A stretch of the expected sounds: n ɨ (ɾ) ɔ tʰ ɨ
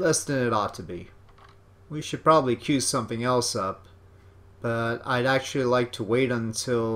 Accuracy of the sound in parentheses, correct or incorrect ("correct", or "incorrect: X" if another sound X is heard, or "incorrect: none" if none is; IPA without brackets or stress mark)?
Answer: correct